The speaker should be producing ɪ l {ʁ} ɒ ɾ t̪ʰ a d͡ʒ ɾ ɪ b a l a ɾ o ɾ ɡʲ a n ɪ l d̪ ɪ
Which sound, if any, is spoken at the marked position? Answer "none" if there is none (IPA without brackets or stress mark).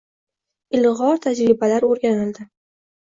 ʁ